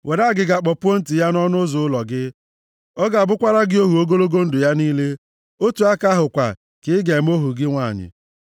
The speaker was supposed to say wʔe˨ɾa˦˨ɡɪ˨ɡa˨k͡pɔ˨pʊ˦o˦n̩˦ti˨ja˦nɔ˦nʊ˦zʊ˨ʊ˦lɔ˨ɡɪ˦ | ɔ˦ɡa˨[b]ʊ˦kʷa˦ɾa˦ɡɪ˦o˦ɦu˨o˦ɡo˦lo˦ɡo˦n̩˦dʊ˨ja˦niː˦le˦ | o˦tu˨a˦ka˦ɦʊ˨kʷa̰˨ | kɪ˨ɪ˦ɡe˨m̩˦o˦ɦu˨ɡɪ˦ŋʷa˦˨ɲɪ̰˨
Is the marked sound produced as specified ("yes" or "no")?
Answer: yes